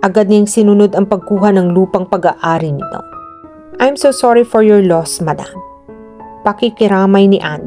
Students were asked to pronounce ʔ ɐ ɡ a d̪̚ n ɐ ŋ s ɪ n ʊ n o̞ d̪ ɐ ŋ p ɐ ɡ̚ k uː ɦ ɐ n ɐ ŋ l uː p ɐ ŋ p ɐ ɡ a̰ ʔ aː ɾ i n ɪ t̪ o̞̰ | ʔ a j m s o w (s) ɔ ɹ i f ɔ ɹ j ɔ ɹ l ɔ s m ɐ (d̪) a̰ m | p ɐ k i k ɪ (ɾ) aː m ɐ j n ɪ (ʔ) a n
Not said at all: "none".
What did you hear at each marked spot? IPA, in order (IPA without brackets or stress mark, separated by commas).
s, d̪, ɾ, ʔ